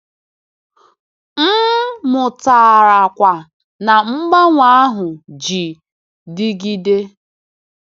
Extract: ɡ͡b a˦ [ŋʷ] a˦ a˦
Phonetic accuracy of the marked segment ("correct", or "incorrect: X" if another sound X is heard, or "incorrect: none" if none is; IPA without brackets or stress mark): correct